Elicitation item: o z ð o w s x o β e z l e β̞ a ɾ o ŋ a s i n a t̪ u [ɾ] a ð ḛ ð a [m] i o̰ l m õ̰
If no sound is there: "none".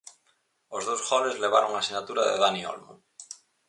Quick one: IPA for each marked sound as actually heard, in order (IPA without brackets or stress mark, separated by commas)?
ɾ, n